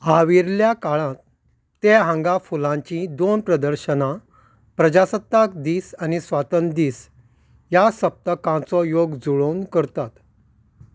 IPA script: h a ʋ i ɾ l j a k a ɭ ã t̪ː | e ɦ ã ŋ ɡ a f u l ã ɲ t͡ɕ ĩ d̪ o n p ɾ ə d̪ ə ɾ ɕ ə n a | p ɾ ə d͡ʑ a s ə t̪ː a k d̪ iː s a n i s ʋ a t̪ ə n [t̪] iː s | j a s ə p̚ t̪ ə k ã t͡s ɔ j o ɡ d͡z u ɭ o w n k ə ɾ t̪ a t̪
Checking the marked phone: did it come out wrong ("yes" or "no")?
yes